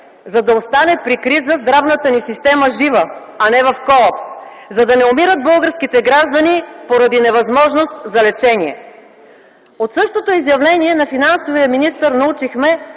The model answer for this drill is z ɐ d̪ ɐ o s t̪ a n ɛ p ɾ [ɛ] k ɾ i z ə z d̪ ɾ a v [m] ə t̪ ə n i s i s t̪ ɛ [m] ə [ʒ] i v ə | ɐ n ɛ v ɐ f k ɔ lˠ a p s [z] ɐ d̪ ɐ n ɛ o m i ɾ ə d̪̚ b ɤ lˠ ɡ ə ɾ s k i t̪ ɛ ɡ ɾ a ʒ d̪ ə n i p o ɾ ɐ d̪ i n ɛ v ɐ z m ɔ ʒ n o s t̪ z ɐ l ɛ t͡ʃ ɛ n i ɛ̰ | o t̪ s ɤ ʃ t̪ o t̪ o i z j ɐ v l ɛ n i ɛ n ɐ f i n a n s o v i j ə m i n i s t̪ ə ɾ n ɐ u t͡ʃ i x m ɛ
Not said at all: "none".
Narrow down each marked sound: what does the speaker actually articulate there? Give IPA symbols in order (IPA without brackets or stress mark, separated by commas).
i, n, m, ʒ, z